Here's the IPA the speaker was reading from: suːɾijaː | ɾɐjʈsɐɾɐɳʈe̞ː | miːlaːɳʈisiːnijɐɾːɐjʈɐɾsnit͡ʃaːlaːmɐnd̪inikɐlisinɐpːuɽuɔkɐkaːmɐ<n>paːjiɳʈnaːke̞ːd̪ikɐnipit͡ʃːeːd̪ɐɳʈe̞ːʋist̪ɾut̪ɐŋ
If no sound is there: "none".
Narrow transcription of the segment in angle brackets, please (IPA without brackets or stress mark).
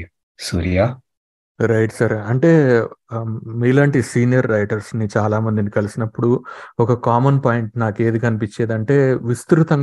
n